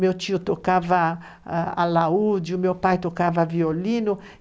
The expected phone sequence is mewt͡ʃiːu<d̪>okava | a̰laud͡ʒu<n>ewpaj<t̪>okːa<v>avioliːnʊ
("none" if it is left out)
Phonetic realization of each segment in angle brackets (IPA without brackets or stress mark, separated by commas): t̪, m, t̪, v